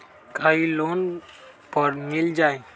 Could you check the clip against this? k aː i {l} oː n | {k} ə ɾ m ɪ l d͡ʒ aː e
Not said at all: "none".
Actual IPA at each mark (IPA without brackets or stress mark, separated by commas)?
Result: l, p